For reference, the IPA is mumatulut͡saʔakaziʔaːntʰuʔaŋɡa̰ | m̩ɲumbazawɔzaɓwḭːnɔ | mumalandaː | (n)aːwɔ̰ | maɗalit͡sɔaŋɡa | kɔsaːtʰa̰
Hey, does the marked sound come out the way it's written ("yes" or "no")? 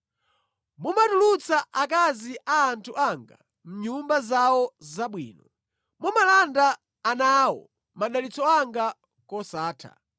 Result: yes